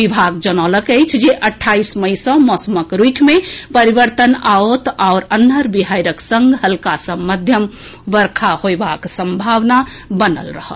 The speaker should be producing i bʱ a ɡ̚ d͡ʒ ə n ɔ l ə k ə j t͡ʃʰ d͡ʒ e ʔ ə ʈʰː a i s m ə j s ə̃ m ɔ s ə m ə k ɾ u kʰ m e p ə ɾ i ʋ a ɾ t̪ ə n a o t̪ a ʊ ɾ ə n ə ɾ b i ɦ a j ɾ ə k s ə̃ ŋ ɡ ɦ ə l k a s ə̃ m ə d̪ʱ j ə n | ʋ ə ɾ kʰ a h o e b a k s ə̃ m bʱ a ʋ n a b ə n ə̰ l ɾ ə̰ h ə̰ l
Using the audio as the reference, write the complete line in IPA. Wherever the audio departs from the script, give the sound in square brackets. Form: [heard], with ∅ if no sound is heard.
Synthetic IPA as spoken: i bʱ a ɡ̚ d͡ʒ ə n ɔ l ə k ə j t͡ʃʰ d͡ʒ e ʔ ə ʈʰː a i s m ə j s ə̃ m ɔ s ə m ə k ɾ u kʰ m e p ə ɾ i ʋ [ə] ɾ t̪ ə n a o t̪ a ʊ ɾ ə n ə ɾ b i ɦ a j ɾ ə k s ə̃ ŋ ɡ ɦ ə l k a s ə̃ m ə d̪ʱ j ə [m] | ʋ ə ɾ kʰ a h o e b a k s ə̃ m bʱ a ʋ n a b ə n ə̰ l ɾ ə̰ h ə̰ l